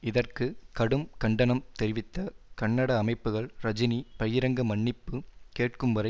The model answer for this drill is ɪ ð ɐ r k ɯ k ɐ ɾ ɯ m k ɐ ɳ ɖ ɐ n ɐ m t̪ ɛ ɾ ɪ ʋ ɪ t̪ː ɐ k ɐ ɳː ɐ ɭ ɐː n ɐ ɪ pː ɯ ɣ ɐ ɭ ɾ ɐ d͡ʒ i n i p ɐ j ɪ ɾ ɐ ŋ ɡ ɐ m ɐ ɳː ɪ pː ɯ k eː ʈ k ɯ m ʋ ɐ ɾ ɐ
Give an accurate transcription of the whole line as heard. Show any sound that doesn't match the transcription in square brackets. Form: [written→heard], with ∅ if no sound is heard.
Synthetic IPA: ɪ ð ɐ r k ɯ k ɐ [ɾ→ɽ] ɯ m k ɐ ɳ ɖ ɐ n ɐ m t̪ ɛ ɾ ɪ ʋ ɪ t̪ː ɐ k ɐ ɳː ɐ [ɭ→ɽ] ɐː [n→m] ɐ ɪ pː ɯ ɣ ɐ ɭ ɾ ɐ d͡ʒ [i→ɪ] n i p ɐ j ɪ ɾ ɐ ŋ ɡ ɐ m ɐ ɳː ɪ pː ɯ k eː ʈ k ɯ m ʋ ɐ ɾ ɐ